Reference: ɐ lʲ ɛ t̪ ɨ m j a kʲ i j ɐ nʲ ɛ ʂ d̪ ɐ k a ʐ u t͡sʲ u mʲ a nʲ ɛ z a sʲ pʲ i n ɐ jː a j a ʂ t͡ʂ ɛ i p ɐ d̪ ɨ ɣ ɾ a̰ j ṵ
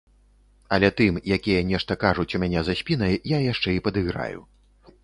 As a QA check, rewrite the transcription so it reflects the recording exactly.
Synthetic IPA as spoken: ɐ lʲ ɛ t̪ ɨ m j a kʲ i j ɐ nʲ ɛ ʂ t̪ ɐ k a ʐ u t͡sʲ u mʲ a nʲ ɛ z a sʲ pʲ i n ɐ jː a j a ʂ t͡ʂ ɛ i p ɐ d̪ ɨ ɣ ɾ a̰ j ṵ